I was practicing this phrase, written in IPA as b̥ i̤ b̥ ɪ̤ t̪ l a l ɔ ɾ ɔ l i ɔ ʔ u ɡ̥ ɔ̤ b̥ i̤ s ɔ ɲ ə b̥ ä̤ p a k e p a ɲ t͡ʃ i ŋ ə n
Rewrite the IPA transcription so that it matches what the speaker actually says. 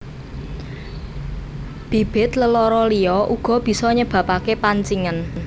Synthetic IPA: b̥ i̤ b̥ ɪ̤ t̪ l ə l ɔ ɾ ɔ l i ɔ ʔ u ɡ̥ ɔ̤ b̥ i̤ s ɔ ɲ ə b̥ ä̤ p a k e p a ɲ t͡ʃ i ŋ ə n